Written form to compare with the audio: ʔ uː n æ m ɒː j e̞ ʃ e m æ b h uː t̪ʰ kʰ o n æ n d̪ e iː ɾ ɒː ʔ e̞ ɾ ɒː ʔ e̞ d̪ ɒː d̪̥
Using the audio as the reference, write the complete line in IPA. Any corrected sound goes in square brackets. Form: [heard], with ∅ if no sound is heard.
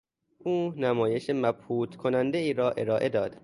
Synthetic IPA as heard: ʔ uː n æ m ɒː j e̞ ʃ e m æ b h uː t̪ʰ kʰ o n æ n d̪ e iː ɾ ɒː ʔ e̞ ɾ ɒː ʔ e̞ d̪ ɒː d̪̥